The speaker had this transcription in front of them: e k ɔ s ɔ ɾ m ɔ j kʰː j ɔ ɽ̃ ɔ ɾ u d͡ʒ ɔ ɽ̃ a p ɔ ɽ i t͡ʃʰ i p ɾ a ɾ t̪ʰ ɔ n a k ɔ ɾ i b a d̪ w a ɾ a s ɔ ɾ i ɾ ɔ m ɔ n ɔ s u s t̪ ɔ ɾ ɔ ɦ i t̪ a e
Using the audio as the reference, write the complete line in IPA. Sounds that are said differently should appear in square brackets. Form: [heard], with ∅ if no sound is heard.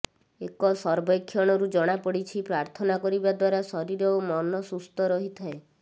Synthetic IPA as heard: e k ɔ s ɔ ɾ [b] ɔ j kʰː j ɔ ɽ̃ ɔ ɾ u d͡ʒ ɔ ɽ̃ a p ɔ ɽ i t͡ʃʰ i p ɾ a ɾ t̪ʰ ɔ n a k ɔ ɾ i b a d̪ w a ɾ a s ɔ ɾ i ɾ ɔ m ɔ n ɔ s u s t̪ ɔ ɾ ɔ ɦ i [t̪ʰ] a e